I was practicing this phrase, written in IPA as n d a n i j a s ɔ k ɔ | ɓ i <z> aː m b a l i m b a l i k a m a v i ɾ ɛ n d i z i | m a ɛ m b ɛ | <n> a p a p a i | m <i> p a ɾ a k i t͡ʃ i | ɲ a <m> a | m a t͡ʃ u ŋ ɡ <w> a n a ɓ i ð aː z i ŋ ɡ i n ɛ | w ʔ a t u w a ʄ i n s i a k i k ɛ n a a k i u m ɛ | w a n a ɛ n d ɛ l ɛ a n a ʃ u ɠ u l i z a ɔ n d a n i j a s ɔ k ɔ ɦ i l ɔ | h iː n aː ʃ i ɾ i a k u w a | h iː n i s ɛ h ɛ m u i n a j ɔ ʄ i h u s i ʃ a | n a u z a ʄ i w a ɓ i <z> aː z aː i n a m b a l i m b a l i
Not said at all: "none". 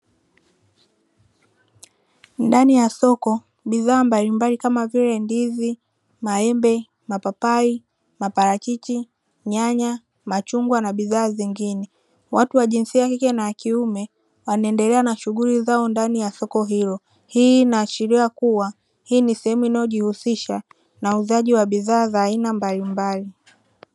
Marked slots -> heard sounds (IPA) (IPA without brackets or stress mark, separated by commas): ð, m, a, ɲ, w, ð